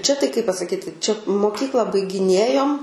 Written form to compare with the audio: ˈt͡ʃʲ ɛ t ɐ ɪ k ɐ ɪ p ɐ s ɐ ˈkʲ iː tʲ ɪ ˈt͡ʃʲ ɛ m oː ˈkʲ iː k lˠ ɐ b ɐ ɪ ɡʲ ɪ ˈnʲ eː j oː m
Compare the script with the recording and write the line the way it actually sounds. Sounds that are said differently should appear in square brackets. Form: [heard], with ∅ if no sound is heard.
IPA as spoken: ˈt͡ʃʲ ɛ t ɐ ɪ k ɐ ɪ p ɐ s ɐ ˈkʲ iː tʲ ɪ ˈt͡ʃʲ ɛ m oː ˈkʲ iː k lˠ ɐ b ɐ ɪ ɡʲ ɪ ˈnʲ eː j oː m